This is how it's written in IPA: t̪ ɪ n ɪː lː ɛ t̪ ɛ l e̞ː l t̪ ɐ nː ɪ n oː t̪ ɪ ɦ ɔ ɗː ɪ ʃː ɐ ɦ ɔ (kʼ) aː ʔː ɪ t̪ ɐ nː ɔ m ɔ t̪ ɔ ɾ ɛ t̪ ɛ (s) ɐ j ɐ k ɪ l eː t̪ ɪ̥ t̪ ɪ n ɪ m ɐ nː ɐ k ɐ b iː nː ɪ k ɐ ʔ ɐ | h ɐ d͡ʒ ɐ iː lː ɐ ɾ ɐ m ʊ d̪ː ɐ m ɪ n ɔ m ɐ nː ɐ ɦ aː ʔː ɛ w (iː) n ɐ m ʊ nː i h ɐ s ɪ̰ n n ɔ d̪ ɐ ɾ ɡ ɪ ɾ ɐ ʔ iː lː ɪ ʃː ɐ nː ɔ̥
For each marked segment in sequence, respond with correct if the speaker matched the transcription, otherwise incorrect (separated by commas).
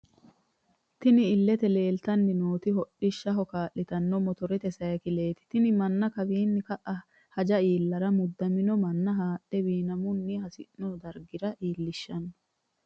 incorrect, correct, correct